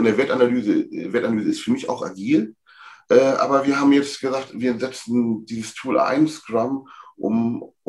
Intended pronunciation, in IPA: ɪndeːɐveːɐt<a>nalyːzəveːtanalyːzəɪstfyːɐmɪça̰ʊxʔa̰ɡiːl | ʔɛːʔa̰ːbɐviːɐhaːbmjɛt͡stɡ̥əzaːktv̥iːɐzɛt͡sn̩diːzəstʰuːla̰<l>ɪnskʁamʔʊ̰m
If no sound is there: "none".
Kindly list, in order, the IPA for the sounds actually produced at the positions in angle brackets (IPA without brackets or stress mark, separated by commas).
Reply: a, none